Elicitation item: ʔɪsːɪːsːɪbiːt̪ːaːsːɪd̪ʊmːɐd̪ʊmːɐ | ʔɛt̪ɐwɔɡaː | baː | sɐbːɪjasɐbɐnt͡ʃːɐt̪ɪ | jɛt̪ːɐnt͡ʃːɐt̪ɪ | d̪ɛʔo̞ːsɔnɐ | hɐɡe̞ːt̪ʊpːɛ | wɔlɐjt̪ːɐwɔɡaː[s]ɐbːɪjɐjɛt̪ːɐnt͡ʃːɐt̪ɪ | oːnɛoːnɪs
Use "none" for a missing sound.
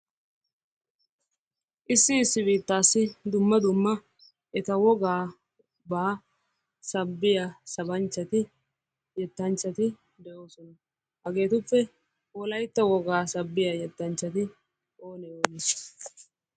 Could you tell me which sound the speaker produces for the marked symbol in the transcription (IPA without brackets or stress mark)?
s